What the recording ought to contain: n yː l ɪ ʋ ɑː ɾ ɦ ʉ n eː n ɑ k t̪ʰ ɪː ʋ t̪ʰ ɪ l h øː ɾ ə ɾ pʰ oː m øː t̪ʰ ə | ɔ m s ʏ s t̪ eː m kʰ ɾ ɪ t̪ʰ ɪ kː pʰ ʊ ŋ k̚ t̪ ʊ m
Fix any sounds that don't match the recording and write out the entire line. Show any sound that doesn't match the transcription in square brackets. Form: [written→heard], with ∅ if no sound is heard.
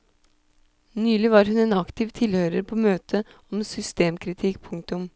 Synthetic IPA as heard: n yː l ɪ ʋ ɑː ɾ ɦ ʉ n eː n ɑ k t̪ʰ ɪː ʋ t̪ʰ ɪ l h øː ɾ ə ɾ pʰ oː m øː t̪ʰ ə | ɔ m s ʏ s t̪ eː m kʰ ɾ ɪ t̪ʰ ɪ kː pʰ ʊ ŋ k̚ t̪ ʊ m